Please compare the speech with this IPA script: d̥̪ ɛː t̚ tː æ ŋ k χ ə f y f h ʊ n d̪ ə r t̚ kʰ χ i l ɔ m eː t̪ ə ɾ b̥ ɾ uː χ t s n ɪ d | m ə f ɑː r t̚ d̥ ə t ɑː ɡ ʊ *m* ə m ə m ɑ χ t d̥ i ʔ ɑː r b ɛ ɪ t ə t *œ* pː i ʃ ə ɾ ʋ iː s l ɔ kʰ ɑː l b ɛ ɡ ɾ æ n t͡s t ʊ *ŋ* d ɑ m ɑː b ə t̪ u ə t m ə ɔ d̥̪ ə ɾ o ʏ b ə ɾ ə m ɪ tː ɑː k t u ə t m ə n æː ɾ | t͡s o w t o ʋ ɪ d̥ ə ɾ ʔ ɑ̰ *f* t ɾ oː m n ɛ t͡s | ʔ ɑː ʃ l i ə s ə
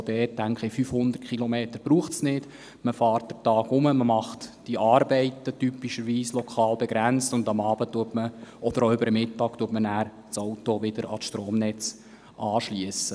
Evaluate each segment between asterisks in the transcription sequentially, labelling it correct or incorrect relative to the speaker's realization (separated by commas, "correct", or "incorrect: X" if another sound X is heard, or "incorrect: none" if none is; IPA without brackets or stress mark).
correct, incorrect: y, incorrect: n, incorrect: ʃ